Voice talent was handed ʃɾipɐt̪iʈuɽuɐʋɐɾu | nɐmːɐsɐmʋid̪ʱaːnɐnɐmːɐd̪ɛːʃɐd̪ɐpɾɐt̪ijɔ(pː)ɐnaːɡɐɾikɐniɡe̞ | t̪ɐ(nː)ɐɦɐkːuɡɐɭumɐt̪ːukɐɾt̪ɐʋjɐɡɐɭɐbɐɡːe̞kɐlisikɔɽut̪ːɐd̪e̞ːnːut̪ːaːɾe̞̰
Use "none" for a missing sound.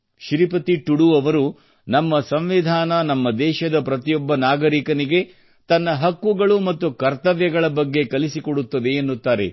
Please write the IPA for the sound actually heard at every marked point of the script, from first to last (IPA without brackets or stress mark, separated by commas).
bː, nː